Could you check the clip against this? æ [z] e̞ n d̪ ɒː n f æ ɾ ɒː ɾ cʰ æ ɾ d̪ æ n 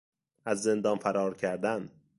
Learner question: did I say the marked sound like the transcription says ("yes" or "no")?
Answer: no